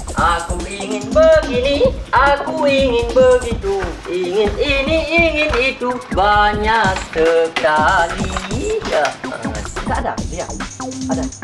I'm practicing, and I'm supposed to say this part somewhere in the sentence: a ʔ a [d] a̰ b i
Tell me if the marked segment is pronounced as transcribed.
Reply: yes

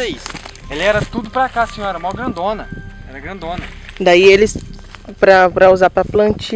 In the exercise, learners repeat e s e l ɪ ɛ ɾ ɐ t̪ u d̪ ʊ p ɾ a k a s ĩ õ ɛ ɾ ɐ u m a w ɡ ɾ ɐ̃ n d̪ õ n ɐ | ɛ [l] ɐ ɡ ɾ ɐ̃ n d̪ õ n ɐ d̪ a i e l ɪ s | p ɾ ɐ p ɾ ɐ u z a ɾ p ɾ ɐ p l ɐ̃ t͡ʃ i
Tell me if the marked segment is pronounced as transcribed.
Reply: no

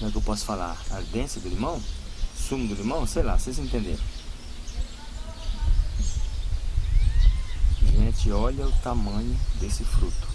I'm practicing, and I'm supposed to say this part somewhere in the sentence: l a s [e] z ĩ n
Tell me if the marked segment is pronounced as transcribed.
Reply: yes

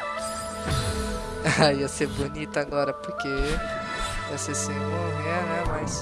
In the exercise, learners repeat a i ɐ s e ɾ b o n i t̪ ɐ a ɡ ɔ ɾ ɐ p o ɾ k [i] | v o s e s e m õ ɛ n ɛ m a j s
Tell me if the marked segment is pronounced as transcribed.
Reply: no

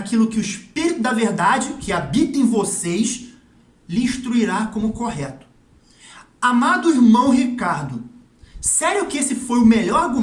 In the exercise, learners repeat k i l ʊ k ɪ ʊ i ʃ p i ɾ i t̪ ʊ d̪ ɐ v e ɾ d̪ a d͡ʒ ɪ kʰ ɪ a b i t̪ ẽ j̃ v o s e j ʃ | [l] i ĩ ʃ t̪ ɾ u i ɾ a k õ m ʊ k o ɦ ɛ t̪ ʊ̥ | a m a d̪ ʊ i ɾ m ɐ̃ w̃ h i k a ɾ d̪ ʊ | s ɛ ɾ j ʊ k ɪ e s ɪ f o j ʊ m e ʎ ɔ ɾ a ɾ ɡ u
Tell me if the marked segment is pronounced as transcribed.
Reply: yes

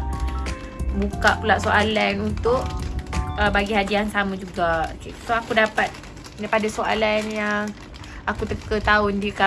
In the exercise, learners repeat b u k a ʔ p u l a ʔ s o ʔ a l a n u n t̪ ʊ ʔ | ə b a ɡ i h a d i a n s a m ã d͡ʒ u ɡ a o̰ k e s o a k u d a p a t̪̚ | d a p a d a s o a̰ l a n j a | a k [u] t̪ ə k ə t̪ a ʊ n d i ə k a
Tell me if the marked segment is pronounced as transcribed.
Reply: yes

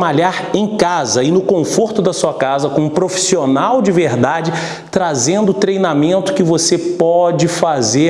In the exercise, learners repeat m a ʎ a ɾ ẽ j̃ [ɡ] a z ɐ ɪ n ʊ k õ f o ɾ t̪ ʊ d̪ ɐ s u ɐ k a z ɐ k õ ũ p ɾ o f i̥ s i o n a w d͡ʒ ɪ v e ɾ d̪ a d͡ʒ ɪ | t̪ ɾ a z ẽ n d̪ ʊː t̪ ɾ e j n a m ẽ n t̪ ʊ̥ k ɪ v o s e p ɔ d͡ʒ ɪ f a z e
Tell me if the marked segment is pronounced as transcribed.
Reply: no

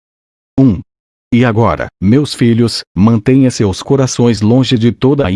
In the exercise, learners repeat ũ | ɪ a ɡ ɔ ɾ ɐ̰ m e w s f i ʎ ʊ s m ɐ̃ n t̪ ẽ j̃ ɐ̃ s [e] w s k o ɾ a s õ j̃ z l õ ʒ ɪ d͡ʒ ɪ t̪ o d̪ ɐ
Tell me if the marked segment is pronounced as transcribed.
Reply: yes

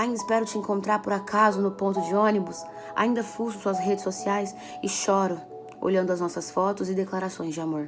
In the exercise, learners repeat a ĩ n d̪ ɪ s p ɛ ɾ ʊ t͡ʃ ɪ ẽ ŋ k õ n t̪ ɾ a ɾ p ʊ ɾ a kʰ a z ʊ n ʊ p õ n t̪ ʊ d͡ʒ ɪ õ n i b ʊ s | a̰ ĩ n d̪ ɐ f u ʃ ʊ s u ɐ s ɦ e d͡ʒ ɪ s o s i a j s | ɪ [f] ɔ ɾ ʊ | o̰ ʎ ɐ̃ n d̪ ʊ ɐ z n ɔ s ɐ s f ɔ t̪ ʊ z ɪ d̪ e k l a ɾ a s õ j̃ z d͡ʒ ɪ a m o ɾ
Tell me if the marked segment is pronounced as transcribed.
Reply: no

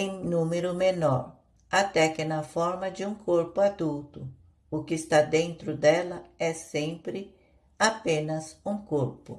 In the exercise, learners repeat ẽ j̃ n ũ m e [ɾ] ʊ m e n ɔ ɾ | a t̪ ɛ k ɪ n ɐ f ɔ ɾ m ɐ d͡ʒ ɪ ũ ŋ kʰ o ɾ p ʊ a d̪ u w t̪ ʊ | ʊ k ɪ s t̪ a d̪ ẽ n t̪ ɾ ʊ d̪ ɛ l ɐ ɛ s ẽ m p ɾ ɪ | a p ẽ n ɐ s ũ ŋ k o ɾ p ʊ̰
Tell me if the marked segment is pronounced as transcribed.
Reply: yes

